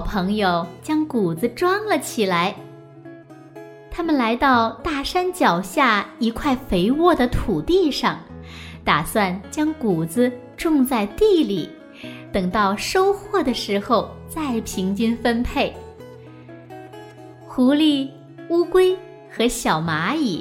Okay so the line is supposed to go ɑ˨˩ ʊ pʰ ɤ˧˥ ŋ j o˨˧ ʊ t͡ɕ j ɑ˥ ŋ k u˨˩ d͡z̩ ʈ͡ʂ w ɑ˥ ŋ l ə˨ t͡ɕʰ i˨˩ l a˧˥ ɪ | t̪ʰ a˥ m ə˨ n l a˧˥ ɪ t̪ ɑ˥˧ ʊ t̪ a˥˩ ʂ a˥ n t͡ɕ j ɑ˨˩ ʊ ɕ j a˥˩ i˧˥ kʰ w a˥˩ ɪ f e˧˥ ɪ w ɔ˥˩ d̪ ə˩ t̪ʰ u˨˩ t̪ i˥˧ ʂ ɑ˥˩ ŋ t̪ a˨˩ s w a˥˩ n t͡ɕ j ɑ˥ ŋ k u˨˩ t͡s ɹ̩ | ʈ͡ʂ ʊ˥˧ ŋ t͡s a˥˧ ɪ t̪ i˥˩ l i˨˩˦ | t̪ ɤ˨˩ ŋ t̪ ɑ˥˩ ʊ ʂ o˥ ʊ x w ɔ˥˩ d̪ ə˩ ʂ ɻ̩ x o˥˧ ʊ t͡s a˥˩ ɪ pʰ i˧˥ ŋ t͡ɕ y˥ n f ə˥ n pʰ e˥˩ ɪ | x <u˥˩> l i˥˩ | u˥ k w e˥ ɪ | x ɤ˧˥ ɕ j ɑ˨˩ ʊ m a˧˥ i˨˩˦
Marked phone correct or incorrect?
incorrect